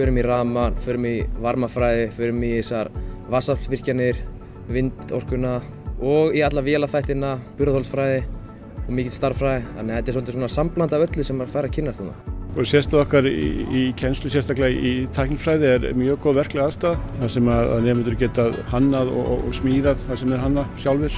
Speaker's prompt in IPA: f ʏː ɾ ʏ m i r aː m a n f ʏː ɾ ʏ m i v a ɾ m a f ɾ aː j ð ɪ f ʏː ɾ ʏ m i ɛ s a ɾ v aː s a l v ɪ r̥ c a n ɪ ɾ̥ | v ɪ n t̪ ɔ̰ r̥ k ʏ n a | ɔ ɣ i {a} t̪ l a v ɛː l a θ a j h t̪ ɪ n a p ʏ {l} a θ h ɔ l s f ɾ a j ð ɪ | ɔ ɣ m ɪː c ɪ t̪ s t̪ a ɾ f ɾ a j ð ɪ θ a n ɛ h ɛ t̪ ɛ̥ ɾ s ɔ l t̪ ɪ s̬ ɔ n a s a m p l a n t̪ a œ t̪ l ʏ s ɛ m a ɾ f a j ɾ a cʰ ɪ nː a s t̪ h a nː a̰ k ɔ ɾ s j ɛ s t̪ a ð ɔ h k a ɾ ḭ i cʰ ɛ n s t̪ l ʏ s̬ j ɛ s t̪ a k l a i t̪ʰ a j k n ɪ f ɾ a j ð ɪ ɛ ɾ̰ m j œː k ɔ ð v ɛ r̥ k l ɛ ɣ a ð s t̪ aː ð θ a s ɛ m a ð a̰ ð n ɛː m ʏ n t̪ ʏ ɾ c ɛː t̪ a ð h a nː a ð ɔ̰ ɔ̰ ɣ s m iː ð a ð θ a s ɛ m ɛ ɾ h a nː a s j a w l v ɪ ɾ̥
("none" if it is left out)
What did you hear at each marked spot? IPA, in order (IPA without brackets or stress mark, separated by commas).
a, ɾ